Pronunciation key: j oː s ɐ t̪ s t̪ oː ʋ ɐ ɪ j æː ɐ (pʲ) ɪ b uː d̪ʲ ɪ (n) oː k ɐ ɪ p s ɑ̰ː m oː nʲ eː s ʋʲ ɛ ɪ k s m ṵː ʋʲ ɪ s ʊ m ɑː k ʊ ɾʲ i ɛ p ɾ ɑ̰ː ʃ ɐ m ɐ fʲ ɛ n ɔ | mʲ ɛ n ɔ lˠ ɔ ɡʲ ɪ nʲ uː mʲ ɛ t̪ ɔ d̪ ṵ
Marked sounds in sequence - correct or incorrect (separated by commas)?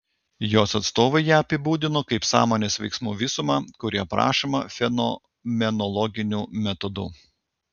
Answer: correct, correct